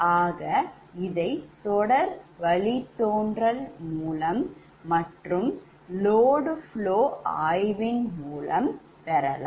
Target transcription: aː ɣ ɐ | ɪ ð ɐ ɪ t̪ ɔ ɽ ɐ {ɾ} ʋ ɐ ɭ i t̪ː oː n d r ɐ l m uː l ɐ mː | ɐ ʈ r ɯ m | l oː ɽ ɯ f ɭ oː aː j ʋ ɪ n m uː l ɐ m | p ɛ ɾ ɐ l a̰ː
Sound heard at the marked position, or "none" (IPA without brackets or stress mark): ɾ